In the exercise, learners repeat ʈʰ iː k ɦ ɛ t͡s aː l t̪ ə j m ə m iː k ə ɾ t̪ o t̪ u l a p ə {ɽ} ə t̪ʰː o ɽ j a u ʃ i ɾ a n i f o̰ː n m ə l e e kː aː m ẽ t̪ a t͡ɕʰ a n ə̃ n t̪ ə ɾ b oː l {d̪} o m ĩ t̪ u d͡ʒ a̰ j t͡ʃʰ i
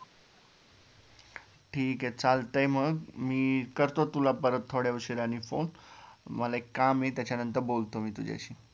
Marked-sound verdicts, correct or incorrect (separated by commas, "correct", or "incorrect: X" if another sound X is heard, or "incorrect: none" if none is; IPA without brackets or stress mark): incorrect: ɾ, incorrect: t̪